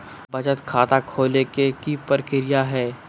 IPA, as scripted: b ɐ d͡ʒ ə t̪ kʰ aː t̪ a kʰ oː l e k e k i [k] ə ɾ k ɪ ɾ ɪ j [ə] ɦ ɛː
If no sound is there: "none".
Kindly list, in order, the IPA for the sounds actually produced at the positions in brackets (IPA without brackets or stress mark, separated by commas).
p, a